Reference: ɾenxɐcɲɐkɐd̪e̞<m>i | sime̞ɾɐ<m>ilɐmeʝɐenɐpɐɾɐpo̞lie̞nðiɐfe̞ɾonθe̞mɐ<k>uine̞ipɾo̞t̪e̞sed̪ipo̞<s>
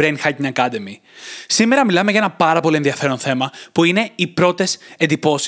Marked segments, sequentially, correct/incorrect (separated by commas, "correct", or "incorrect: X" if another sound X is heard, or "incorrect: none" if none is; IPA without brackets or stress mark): correct, correct, incorrect: p, correct